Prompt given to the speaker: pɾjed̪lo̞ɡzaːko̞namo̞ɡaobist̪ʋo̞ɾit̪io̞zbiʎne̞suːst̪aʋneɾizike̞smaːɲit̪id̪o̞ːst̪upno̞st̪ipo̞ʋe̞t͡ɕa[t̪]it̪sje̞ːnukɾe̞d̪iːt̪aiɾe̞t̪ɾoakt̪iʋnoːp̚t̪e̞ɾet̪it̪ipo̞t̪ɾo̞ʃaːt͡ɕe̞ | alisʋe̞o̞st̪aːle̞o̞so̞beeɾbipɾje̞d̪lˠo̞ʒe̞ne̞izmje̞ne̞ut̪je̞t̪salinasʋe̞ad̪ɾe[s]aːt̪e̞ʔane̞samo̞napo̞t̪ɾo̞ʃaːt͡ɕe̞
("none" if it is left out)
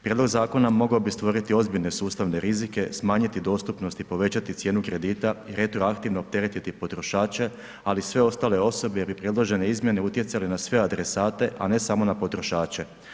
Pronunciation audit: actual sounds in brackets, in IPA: t̪, s

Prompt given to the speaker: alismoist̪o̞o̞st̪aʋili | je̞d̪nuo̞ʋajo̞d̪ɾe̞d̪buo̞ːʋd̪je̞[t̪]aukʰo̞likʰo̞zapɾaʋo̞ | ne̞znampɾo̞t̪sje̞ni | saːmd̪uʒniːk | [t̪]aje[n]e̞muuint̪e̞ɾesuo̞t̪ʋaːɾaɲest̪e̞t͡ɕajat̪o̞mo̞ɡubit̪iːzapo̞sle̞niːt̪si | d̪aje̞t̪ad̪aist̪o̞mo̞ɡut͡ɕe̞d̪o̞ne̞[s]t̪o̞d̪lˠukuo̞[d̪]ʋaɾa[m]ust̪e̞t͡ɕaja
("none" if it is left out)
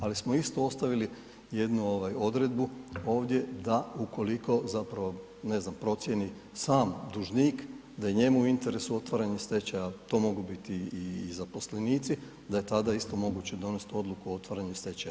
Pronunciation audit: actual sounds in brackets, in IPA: d̪, d̪, ɲ, s, t̪, ɲ

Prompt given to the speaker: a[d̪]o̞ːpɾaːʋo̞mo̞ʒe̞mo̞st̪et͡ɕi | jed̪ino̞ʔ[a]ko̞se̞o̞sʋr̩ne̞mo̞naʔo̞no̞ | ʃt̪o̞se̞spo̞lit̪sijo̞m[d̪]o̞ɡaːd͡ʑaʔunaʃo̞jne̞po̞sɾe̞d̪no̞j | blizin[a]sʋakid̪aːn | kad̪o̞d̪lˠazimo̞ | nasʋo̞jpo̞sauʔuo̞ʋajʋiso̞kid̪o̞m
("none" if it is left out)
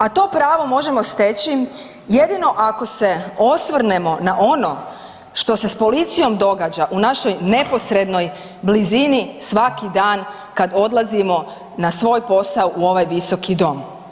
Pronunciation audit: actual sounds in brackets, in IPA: t̪, a, d̪, i

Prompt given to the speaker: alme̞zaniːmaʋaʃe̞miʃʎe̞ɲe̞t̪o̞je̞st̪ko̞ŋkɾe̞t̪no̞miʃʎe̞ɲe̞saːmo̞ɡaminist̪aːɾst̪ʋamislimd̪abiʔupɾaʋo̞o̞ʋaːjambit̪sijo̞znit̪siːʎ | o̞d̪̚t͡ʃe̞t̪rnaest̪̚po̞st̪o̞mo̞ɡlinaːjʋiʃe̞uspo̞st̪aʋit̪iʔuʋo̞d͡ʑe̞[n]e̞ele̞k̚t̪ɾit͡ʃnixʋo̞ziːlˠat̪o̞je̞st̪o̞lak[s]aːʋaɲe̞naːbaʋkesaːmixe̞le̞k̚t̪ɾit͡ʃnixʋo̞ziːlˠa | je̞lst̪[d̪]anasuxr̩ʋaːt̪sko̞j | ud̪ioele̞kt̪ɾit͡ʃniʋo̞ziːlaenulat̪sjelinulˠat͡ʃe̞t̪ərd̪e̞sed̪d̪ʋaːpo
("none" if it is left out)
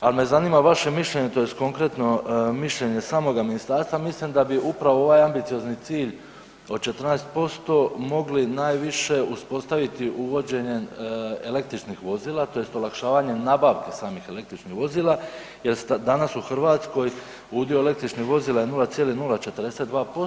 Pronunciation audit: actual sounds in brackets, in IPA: ɲ, ʃ, d̪

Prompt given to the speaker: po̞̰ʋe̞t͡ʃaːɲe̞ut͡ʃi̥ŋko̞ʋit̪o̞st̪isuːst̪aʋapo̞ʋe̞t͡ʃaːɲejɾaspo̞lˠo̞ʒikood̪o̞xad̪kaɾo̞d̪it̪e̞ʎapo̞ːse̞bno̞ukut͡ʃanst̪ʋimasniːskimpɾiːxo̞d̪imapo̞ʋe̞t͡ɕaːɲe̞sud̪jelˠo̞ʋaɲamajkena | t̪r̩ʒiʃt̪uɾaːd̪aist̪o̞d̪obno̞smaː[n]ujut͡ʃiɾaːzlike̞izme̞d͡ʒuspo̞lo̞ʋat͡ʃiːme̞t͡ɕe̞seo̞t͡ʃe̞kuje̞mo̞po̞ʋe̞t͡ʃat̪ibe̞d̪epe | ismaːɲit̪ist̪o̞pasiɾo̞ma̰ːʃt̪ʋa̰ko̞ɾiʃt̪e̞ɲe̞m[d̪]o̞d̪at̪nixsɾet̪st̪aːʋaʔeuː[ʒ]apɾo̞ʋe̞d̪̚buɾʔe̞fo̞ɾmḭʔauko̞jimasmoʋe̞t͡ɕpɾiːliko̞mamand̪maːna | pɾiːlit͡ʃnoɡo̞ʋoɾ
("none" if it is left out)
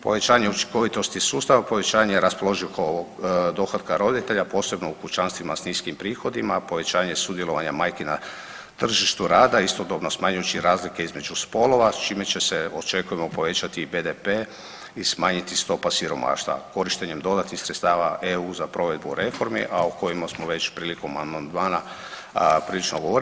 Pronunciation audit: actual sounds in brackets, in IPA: ɲ, d̪, z

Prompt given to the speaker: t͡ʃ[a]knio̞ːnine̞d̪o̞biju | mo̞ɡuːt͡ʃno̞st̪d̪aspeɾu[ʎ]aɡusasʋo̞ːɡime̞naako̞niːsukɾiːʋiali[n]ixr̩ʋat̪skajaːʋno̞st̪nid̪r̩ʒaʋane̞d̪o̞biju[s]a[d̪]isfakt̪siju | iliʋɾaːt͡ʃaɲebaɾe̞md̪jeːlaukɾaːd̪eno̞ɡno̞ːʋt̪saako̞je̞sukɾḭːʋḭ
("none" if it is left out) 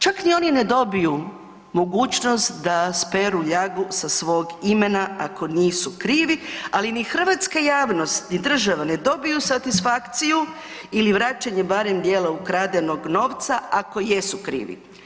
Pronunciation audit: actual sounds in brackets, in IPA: a, ʎ, n, s, t̪

